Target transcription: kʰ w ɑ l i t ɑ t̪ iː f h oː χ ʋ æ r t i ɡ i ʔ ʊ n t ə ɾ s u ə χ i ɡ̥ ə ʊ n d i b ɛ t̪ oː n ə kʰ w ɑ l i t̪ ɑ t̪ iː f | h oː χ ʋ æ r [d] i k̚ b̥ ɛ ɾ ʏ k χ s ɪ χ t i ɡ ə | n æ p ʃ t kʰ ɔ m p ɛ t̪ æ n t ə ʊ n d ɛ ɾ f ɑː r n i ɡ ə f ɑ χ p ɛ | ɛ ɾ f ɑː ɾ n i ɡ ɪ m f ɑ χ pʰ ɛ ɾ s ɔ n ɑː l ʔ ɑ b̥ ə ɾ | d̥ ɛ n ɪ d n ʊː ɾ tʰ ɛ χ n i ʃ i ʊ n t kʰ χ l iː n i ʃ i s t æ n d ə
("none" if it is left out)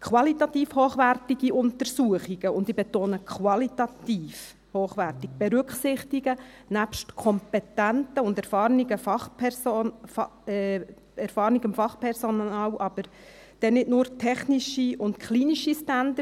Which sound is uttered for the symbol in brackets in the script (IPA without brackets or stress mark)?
t